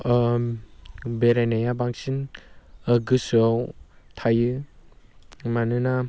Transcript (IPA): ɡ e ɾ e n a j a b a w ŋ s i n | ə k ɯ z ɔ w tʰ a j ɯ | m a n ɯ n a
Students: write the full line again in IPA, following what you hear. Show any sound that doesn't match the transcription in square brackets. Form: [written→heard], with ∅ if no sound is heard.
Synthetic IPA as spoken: [ɡ→b] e ɾ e n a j a b a [w→∅] ŋ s i n | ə [k→ɡ] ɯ [z→s] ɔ w tʰ a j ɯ | m a n ɯ n a